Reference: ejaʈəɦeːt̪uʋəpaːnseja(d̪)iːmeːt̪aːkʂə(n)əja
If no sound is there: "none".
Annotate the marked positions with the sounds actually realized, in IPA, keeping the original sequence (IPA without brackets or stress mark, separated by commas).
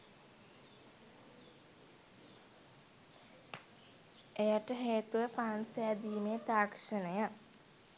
d̪, n